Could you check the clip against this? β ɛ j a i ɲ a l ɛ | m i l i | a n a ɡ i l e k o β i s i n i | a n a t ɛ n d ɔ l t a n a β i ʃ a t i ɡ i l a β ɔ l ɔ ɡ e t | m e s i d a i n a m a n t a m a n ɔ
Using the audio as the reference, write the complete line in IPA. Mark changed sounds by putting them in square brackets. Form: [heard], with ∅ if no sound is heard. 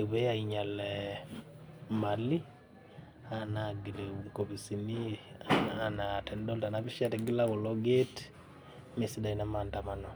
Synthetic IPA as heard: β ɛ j a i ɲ a l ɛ | m [a] l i | a n a ɡ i l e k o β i s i n i | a n a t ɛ n d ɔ l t a n a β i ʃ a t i ɡ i l a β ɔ l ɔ ɡ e t | m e s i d a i n a m a n t a m a n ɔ